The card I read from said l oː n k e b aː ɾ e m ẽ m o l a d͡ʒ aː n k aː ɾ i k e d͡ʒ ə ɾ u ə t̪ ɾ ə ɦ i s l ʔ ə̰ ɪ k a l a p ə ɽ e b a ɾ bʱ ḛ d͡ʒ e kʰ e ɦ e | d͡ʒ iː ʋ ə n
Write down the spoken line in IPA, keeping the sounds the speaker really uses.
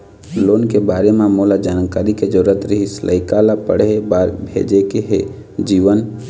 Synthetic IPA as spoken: l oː n k e b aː ɾ e m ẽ m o l a d͡ʒ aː n k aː ɾ i k e d͡ʒ ə ɾ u ə t̪ ɾ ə ɦ i s l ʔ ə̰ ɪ k a l a p ə ɽ e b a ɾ bʱ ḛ d͡ʒ e k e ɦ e | d͡ʒ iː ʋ ə n